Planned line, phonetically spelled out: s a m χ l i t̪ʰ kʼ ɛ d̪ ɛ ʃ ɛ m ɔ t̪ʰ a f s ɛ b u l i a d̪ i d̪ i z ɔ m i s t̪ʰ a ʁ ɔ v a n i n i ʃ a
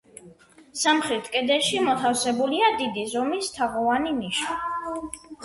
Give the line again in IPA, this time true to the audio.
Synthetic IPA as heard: s a m χ ɾ i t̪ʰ kʼ ɛ d̪ ɛ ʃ i m ɔ t̪ʰ a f s ɛ b u l i a d̪ i d̪ i z ɔ m i s t̪ʰ a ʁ ɔ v a n i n i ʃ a